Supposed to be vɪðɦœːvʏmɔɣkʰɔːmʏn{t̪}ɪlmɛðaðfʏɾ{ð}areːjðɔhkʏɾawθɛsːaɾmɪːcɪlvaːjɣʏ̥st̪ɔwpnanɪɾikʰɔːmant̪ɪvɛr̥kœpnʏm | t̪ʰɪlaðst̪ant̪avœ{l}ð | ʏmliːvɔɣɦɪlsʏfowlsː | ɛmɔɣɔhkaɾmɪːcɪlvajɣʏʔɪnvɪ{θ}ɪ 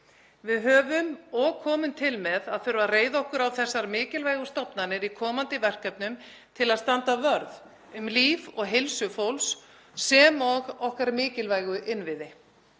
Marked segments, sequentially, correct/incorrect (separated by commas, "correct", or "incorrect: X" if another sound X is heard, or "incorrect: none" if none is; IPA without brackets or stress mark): incorrect: t̪ʰ, incorrect: v, incorrect: ɾ, incorrect: ð